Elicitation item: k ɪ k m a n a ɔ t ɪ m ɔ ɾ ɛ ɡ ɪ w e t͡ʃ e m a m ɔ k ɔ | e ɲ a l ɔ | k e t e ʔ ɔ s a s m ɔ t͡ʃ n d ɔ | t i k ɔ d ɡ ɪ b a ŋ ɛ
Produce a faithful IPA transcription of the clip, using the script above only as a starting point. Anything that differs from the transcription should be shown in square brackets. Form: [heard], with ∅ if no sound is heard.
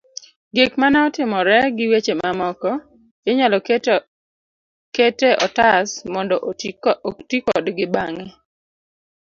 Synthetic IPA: [ɡ] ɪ k m a n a ɔ t ɪ m ɔ ɾ ɛ ɡ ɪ w e t͡ʃ e m a m ɔ k ɔ | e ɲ a l ɔ | k e t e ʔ ɔ [t] a s m ɔ [∅] n d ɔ | t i k ɔ d ɡ ɪ b a ŋ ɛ